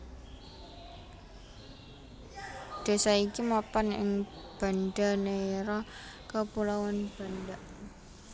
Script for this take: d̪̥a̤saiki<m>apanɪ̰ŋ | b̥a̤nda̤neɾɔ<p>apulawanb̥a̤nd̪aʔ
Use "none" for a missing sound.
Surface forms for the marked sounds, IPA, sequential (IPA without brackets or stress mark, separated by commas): m, k